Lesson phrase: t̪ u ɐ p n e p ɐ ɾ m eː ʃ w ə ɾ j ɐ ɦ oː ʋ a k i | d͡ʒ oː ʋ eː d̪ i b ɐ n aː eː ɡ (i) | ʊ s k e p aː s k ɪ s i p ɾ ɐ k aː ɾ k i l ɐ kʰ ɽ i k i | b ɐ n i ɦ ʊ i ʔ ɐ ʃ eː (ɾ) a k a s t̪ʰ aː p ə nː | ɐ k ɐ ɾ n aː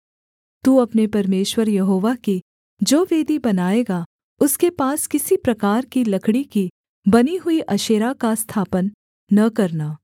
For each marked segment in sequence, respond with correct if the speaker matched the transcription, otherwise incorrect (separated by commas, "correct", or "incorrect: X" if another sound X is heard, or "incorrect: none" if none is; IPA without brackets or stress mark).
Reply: incorrect: a, correct